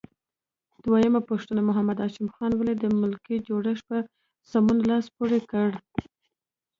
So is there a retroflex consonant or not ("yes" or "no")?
yes